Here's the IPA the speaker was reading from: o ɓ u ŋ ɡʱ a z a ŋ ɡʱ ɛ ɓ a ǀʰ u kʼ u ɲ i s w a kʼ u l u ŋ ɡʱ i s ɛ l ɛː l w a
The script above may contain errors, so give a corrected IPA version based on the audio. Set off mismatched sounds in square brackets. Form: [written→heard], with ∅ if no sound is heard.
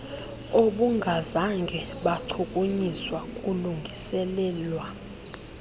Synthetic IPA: o ɓ u ŋ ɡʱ a z a ŋ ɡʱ ɛ ɓ a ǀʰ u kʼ u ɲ i s w a kʼ u l u ŋ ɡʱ i s ɛ l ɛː l w a